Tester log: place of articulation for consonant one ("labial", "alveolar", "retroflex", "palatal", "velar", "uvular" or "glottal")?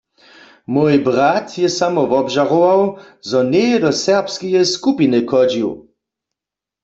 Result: labial